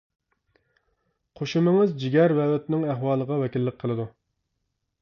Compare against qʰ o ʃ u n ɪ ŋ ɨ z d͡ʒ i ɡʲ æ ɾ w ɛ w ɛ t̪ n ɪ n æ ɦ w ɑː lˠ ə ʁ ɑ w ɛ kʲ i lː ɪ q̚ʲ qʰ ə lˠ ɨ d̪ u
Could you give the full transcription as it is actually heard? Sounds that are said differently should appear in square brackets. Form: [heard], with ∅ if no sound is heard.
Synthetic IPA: qʰ o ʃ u [m] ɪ ŋ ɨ z d͡ʒ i ɡʲ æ ɾ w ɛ w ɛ t̪ n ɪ [ŋ] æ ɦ w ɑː lˠ ə ʁ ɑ w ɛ kʲ i lː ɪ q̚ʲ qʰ ə lˠ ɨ d̪ u